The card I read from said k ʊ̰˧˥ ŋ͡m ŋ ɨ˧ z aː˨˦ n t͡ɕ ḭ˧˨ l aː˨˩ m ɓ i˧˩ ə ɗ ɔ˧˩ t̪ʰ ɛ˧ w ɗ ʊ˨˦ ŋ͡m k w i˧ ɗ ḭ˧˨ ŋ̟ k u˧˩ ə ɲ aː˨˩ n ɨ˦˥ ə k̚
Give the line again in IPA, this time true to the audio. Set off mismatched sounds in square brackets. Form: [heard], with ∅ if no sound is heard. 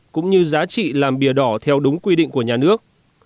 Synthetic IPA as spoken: k ʊ̰˧˥ ŋ͡m [ɲ] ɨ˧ z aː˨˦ [∅] t͡ɕ ḭ˧˨ l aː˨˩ m ɓ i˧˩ ə ɗ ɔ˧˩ t̪ʰ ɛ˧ w ɗ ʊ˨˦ ŋ͡m k w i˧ ɗ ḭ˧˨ ŋ̟ k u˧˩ ə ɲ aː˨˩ n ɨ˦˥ ə k̚